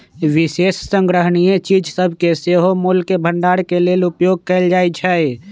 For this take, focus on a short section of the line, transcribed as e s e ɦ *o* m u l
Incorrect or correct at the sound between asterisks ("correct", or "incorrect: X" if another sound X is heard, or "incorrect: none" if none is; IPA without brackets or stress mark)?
correct